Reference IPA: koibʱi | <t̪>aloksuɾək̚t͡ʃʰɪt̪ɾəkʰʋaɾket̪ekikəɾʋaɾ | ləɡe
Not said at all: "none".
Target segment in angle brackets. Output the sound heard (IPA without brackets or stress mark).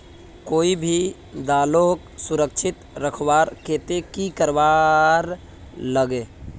d̪